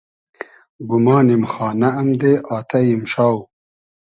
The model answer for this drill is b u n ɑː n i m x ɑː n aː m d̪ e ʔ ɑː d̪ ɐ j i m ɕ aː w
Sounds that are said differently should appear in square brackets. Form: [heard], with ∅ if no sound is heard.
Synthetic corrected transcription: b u [m] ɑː n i m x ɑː n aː m d̪ e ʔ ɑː [t̪] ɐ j i m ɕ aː w